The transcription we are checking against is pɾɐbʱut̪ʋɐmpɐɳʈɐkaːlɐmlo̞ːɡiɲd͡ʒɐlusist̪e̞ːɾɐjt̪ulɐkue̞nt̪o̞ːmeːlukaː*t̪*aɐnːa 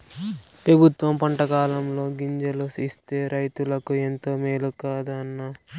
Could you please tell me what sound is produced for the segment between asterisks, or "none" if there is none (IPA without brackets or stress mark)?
d̪